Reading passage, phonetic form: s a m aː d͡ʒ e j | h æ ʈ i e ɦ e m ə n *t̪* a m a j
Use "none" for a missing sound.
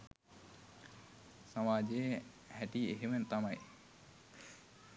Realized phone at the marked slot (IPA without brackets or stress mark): t̪